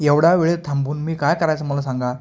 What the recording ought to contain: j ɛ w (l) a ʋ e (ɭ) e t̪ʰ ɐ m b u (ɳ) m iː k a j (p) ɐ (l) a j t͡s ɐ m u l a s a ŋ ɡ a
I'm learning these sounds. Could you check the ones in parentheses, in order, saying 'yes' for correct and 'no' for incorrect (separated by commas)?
no, yes, no, no, no